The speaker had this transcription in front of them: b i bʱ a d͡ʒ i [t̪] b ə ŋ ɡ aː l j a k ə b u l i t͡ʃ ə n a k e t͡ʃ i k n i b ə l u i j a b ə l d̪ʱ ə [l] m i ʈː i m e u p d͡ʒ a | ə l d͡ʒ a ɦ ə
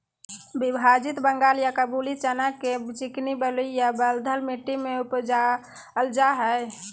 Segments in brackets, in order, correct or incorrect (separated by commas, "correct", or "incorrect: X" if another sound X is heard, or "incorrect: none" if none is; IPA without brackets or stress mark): correct, correct